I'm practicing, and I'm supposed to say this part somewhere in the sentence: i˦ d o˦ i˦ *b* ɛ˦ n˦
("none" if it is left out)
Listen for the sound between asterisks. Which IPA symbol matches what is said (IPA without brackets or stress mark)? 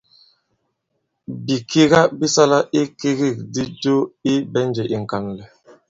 b